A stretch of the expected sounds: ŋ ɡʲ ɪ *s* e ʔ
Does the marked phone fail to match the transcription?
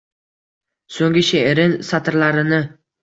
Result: yes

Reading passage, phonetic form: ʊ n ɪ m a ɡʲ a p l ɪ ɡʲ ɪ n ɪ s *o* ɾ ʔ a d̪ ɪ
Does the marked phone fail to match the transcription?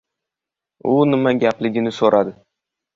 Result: no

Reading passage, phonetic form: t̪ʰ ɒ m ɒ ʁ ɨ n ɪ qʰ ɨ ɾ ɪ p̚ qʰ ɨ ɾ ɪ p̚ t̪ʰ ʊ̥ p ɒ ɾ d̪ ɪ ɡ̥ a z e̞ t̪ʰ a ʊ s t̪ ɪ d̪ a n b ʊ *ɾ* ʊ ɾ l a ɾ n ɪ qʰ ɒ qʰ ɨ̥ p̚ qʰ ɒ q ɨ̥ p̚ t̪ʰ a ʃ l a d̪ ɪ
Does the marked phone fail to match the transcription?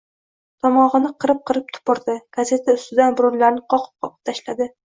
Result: no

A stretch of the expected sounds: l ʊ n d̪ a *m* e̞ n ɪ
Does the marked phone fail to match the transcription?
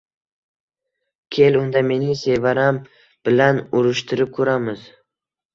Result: no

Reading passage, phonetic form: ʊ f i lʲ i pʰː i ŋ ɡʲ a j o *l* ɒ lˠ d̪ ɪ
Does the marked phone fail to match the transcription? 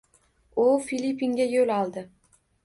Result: no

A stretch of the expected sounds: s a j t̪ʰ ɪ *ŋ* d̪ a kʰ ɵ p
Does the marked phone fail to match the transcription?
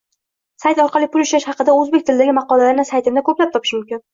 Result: yes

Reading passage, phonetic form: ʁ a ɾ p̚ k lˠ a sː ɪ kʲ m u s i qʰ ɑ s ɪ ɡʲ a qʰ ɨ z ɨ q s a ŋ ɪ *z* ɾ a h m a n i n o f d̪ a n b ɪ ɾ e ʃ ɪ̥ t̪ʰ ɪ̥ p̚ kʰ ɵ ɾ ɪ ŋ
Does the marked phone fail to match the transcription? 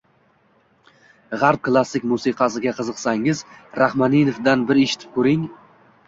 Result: no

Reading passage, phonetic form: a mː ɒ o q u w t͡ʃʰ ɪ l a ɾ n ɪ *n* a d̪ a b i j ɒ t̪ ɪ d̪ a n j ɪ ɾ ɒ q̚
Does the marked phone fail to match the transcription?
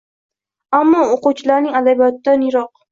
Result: yes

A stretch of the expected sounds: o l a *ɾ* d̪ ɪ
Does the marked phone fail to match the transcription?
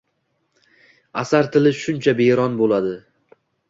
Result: yes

